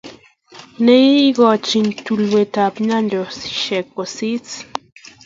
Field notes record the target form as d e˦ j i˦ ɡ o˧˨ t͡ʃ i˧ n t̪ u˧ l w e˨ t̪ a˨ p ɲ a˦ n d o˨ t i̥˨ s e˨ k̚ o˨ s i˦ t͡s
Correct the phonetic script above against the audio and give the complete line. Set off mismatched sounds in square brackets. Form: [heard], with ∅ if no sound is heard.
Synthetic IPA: [n] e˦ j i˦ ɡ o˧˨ t͡ʃ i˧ n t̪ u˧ l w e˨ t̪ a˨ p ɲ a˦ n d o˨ [s] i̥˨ [ʃ] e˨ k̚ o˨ s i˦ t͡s